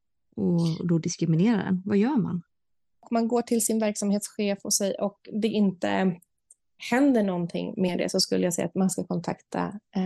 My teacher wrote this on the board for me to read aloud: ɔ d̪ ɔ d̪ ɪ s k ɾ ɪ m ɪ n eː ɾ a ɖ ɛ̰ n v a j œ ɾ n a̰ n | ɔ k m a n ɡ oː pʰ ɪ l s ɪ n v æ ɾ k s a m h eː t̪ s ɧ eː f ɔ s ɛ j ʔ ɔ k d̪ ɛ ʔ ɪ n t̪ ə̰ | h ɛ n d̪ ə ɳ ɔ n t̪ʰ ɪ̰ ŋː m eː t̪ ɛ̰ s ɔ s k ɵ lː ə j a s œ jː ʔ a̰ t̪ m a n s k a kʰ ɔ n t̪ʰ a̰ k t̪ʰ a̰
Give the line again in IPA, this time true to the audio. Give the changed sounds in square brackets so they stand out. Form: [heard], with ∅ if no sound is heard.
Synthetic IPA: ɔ d̪ ɔ d̪ ɪ s k ɾ ɪ m ɪ n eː ɾ a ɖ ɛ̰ n v a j [œː] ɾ [m] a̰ n | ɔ k m a n ɡ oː [ʈʰ] ɪ l s ɪ n v æ ɾ k s a m h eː t̪ s ɧ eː f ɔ s ɛ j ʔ ɔ k d̪ ɛ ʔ ɪ n t̪ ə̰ | h ɛ n d̪ ə ɳ ɔ n t̪ʰ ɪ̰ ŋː m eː [d̪] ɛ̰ s ɔ s k ɵ lː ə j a s [ɛ] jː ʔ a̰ t̪ m a n s k a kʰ ɔ n t̪ʰ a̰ k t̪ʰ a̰